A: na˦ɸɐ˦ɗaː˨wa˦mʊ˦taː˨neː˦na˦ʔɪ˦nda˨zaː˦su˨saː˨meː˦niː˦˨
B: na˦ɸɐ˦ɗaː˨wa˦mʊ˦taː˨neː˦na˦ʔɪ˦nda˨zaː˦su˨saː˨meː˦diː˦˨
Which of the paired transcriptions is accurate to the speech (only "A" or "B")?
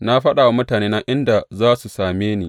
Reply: A